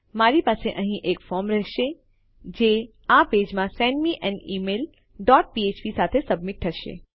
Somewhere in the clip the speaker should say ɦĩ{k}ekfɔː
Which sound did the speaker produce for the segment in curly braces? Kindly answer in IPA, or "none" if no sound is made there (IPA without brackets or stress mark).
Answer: ʔ